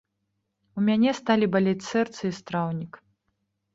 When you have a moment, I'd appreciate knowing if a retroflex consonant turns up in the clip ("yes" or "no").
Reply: no